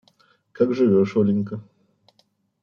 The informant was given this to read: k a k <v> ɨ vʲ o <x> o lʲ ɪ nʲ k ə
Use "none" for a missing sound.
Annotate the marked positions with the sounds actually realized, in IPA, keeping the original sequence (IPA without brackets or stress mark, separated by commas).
ʐ, ʂ